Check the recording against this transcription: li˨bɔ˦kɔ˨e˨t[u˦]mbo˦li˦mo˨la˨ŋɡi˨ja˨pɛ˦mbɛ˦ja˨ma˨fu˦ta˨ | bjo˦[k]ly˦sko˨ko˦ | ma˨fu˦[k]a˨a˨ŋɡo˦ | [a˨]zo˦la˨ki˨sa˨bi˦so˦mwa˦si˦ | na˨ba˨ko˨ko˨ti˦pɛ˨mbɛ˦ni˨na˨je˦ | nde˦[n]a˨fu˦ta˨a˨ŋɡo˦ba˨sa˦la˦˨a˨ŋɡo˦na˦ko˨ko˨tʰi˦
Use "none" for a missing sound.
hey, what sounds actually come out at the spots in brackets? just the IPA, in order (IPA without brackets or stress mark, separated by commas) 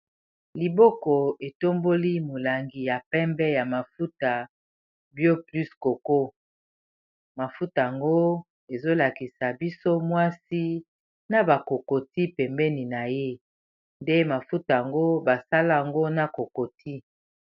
o˦, p, t, e˨, m